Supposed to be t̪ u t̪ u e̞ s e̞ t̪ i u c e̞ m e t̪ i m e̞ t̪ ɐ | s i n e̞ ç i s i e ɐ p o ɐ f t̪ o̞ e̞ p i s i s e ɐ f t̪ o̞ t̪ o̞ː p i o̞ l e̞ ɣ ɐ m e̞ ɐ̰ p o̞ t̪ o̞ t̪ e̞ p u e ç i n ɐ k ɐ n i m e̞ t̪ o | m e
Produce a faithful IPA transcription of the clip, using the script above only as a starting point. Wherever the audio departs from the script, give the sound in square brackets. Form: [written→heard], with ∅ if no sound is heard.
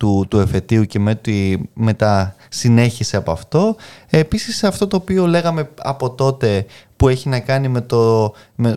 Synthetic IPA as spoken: t̪ u t̪ u e̞ [s→f] e̞ t̪ i u c e̞ m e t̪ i m e̞ t̪ ɐ | s i n e̞ ç i s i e ɐ p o ɐ f t̪ o̞ e̞ p i s i s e ɐ f t̪ o̞ t̪ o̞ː p i o̞ l e̞ ɣ ɐ m e̞ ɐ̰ p o̞ t̪ o̞ t̪ e̞ p u e ç i n ɐ k ɐ n i m e̞ t̪ o | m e